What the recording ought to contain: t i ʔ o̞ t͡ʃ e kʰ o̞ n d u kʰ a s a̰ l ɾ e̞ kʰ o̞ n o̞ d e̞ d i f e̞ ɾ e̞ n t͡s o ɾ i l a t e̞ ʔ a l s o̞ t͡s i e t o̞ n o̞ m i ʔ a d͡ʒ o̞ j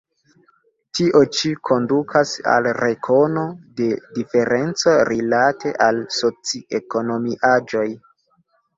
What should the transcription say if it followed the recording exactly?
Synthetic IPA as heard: t i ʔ o̞ t͡ʃ i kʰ o̞ n d u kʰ a s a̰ l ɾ e̞ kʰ o̞ n o̞ d e̞ d i f e̞ ɾ e̞ n t͡s o ɾ i l a t e̞ ʔ a l s o̞ t͡s i e k o̞ n o̞ m i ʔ a d͡ʒ o̞ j